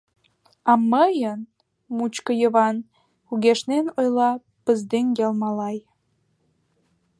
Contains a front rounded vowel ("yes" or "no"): no